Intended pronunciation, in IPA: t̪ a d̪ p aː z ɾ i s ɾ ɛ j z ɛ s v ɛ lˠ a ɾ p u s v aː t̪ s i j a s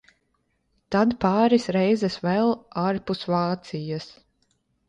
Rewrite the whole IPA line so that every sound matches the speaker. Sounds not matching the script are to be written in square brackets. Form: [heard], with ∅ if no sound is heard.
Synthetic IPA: t̪ a d̪ p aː [∅] ɾ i s ɾ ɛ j z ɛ s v ɛ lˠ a ɾ p u s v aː t̪ s i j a s